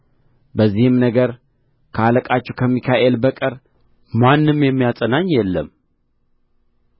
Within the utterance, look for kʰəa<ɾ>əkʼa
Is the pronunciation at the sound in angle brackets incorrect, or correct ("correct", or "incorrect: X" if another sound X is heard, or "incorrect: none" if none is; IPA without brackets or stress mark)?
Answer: incorrect: l